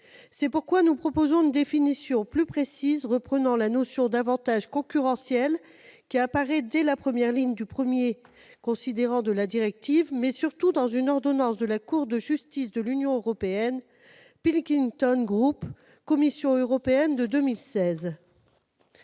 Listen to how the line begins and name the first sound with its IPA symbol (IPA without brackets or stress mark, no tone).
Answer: s